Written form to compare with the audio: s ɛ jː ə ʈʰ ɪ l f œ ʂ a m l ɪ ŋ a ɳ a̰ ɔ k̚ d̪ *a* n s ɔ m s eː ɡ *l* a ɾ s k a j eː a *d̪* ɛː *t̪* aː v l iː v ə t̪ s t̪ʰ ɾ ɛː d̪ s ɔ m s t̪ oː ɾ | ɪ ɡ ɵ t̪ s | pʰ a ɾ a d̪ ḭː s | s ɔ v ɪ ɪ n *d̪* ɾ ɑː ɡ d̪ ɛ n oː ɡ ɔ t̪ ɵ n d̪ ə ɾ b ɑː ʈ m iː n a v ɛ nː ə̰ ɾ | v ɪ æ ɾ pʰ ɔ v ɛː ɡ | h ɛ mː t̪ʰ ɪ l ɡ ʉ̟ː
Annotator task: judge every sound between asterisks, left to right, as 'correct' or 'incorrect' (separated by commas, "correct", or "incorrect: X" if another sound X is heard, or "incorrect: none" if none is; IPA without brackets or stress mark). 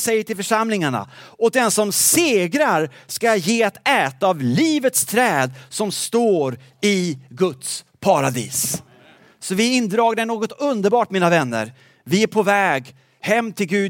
incorrect: ɛ, incorrect: ɾ, incorrect: t̪, correct, correct